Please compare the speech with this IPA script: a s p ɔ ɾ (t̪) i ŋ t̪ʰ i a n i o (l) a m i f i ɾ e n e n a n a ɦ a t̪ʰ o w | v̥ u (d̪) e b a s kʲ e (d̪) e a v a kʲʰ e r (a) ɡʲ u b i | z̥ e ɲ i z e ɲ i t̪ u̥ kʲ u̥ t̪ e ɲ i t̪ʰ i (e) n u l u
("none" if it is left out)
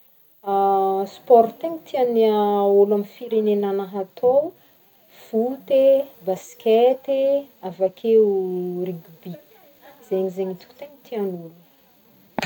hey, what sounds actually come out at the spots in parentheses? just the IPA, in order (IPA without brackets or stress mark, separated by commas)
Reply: t̪, l, t̪, t̪, i, a